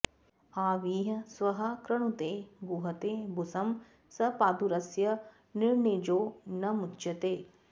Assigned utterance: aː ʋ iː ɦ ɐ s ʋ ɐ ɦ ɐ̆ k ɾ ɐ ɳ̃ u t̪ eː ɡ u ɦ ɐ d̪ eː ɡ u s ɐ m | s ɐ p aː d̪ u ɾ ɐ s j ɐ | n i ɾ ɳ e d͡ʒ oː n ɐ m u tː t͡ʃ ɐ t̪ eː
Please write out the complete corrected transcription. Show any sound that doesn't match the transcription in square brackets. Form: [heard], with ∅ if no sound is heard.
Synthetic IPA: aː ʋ iː ɦ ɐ s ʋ ɐ ɦ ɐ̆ k ɾ ɐ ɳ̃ u t̪ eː ɡ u ɦ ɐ [t̪] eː [b] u s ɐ m | s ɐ p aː d̪ u ɾ ɐ s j ɐ | n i ɾ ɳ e d͡ʒ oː n ɐ m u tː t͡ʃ ɐ t̪ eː